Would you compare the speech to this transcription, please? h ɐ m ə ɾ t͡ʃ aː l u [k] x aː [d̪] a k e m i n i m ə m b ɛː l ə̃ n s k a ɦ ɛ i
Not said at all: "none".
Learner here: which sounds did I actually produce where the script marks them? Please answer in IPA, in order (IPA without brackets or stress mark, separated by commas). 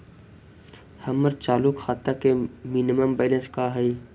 k, t̪